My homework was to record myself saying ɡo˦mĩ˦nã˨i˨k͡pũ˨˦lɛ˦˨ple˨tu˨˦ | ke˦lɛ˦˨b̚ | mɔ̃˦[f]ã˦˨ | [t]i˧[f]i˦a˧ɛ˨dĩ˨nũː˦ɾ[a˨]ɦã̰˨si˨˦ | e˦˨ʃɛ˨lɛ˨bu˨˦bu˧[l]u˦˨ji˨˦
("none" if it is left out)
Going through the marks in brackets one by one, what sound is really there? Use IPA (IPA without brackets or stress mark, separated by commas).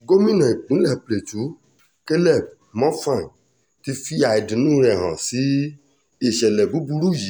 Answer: f, t, f, ɛ˨, ɾ